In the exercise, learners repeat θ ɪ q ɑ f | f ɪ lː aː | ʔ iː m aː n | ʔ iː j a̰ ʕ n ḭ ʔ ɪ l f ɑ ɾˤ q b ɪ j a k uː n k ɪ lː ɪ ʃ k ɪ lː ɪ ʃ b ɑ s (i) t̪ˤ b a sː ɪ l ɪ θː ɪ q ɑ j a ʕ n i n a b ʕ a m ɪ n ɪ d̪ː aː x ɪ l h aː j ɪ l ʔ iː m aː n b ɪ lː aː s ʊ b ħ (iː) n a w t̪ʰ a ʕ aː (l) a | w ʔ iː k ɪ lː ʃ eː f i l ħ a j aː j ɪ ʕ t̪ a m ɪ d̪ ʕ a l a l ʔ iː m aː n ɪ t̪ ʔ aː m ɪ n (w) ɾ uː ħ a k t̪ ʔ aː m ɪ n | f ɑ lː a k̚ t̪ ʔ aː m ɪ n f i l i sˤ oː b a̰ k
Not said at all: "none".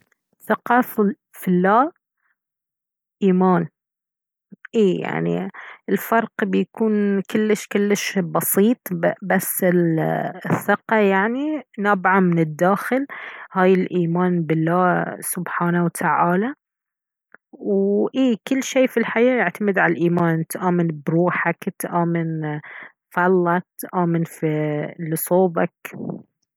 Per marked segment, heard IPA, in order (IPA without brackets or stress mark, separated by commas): iː, aː, l, b